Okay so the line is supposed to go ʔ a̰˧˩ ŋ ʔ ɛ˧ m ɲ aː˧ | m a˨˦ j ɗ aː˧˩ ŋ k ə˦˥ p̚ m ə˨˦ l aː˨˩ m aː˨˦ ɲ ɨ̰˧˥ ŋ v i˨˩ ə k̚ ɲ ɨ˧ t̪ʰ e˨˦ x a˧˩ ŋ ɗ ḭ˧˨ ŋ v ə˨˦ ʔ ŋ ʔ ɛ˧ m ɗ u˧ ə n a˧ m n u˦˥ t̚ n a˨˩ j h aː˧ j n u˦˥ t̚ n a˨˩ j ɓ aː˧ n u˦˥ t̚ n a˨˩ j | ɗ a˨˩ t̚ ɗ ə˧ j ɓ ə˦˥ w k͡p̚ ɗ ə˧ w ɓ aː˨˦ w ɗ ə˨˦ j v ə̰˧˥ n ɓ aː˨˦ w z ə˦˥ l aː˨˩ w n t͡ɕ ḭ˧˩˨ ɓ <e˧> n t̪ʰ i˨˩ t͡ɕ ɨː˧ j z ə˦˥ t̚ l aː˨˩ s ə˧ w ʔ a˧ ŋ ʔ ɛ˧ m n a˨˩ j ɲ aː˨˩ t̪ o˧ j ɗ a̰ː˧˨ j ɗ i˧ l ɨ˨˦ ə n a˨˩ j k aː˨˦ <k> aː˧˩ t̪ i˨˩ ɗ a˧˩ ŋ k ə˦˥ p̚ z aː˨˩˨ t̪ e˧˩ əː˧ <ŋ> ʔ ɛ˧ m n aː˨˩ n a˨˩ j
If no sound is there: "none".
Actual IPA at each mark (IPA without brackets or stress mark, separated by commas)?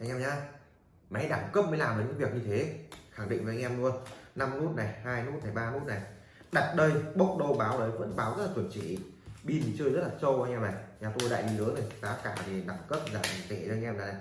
i˧, k, ŋ